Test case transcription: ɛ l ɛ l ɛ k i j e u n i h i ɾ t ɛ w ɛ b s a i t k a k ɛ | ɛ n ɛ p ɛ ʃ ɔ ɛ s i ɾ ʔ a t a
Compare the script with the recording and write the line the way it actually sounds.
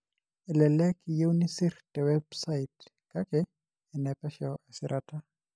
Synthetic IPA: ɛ l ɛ l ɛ k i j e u n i s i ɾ t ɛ w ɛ b s a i t k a k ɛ | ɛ n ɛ p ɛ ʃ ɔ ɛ s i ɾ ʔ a t a